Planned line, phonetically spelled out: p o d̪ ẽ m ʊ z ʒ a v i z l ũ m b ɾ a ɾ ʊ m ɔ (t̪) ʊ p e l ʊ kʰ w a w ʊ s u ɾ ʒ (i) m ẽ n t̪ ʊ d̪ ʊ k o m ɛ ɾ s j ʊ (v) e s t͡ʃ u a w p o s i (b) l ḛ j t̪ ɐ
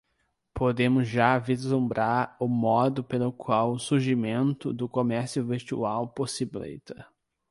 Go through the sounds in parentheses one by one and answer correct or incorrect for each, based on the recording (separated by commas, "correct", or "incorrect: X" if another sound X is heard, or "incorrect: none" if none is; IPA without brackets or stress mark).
incorrect: d̪, correct, correct, correct